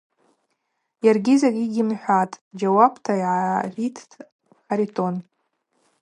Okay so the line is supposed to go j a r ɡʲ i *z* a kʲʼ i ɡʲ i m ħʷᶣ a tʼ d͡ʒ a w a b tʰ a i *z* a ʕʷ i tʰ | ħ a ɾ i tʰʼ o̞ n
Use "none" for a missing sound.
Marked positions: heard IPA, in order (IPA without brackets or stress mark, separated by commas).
z, ʕ